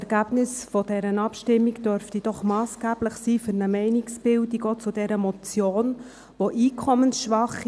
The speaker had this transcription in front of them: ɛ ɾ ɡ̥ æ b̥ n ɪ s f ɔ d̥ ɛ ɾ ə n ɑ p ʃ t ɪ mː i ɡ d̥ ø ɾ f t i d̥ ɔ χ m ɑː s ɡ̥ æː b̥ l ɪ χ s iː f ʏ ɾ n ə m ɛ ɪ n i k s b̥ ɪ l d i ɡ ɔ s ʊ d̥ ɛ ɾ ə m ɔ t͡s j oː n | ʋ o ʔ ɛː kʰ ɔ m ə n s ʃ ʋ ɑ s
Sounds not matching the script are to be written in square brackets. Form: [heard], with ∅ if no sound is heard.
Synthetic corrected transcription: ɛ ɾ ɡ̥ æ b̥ n ɪ s f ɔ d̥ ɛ ɾ ə n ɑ p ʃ t ɪ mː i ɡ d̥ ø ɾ f t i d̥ ɔ χ m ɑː s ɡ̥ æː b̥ l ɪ χ s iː f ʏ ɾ n ə m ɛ ɪ n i k s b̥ ɪ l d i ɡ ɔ [t͡s] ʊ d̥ ɛ ɾ ə m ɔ t͡s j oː n | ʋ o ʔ [iː] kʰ ɔ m ə n s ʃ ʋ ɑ [χ]

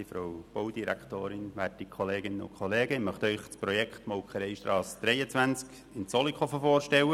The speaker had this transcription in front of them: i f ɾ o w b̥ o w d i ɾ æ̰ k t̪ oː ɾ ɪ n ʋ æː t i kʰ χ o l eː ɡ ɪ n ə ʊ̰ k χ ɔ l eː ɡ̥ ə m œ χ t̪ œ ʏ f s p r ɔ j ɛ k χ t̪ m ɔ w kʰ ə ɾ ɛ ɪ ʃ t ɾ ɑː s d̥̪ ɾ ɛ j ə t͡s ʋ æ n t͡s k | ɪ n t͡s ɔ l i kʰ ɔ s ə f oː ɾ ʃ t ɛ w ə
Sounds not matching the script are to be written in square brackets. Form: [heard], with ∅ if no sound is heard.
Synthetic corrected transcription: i f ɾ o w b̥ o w d i ɾ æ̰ k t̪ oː ɾ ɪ n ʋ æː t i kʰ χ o l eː ɡ ɪ n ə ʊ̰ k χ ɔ l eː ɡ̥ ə m œ χ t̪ œ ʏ [χ] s p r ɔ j ɛ k χ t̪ m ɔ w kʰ ə ɾ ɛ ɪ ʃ t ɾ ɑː s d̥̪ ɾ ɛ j ə t͡s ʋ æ n t͡s k | ɪ n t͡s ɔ l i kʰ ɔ [f] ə f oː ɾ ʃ t ɛ w ə

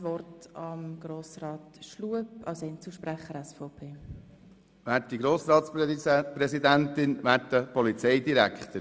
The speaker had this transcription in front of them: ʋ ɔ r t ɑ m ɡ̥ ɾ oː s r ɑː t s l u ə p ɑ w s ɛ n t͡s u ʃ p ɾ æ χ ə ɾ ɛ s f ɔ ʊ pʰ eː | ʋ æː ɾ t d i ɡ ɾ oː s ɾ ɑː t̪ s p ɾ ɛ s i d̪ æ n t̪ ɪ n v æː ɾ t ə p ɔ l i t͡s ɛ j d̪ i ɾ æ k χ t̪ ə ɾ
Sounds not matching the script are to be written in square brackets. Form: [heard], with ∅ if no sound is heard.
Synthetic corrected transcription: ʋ ɔ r t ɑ m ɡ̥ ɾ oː s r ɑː t [ʃ] l u ə p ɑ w s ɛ n t͡s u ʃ p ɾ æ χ ə ɾ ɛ s f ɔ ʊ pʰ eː | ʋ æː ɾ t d i ɡ ɾ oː s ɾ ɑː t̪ s p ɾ ɛ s i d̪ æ n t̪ ɪ n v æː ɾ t ə p ɔ l i t͡s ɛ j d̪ i ɾ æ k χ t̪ ə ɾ

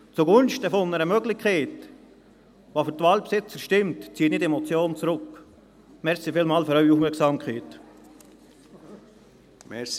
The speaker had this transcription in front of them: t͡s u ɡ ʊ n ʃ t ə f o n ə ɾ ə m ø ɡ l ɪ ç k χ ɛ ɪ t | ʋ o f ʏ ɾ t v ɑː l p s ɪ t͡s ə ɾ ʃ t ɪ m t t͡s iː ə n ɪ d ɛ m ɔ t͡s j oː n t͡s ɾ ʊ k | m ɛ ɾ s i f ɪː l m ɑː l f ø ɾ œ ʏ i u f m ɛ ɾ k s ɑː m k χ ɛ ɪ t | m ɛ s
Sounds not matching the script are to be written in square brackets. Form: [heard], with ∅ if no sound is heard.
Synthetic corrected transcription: t͡s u ɡ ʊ n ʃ t ə f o n ə ɾ ə m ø ɡ l ɪ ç k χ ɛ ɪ t | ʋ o f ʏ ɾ t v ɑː l p s ɪ t͡s ə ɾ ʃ t ɪ m t t͡s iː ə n ɪ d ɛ m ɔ t͡s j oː n t͡s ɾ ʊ k | m ɛ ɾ s i f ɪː l m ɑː l f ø ɾ œ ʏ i u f m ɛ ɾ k s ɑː m k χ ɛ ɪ t | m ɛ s

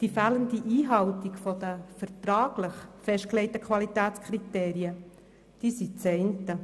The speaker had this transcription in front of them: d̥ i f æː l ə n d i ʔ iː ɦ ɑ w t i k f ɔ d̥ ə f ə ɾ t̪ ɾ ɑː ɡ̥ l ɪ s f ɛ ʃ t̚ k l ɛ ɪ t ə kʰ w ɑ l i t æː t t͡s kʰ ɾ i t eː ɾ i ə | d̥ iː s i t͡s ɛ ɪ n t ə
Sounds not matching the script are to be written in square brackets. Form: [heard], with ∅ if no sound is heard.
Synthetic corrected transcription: d̥ i f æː l ə n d i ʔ iː ɦ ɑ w t i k f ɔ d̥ ə f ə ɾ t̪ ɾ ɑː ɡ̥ l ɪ [χ] f ɛ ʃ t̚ k l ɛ ɪ t ə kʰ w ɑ l i t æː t t͡s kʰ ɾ i t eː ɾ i ə | d̥ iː s i t͡s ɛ ɪ n t ə

